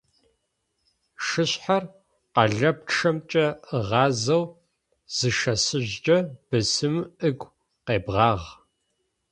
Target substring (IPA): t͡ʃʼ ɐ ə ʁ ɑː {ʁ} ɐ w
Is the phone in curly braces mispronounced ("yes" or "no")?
yes